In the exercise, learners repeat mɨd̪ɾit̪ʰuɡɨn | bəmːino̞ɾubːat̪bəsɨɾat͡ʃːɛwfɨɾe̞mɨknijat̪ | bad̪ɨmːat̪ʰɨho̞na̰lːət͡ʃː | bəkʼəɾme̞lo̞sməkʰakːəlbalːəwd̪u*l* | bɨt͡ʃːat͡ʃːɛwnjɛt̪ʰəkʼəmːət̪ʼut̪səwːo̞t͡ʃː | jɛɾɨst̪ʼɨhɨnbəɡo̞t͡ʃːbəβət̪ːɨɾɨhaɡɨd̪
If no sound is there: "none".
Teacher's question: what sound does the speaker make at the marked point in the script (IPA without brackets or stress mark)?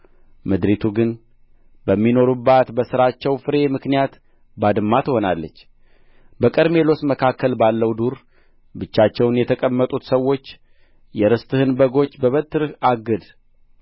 ɾ